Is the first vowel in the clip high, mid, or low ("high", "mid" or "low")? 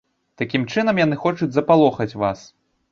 low